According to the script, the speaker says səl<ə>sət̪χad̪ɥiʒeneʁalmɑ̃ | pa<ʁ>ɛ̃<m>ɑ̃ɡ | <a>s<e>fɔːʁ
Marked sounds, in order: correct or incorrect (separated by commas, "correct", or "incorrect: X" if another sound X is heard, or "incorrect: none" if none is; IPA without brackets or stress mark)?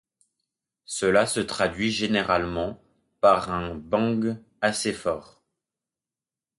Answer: incorrect: a, correct, incorrect: b, correct, correct